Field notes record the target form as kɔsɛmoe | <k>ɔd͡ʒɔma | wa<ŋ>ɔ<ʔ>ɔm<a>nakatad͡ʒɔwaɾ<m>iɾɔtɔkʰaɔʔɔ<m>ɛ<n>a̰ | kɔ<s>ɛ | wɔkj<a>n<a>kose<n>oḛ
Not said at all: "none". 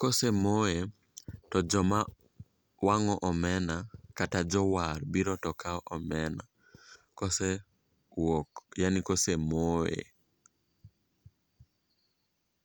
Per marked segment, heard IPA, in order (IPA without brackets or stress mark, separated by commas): t, ŋ, ʔ, ɛ, b, m, n, s, a, i, m